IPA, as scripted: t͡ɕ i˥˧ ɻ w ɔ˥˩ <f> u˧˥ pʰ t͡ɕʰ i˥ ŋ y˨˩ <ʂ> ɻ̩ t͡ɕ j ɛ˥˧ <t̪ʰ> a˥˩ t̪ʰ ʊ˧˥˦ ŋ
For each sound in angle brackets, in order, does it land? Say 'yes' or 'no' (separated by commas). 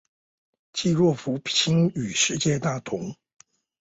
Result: yes, yes, no